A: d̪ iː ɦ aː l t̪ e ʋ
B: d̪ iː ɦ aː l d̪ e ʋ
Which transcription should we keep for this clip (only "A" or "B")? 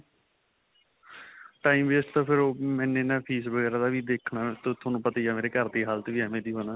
A